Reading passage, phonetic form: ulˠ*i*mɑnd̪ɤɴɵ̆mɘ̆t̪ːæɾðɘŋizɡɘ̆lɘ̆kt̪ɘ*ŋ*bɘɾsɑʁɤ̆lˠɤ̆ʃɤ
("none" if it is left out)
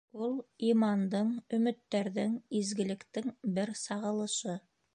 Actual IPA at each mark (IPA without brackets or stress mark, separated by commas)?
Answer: i, ŋ